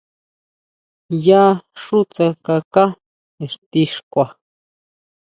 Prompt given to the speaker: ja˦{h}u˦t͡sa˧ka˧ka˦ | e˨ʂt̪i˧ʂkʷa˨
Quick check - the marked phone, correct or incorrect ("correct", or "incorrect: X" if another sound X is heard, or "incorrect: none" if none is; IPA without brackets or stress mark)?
incorrect: ʂ